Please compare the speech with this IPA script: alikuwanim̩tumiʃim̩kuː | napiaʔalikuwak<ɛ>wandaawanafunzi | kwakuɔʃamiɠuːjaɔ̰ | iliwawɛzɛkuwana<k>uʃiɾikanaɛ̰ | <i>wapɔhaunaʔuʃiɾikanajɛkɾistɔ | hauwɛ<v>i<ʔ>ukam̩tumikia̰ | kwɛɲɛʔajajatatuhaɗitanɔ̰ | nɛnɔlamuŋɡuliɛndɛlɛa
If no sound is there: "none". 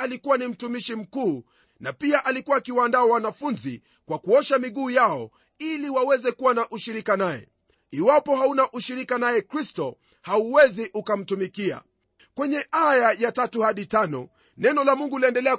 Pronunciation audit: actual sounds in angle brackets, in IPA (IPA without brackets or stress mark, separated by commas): i, ʔ, i, z, ʔ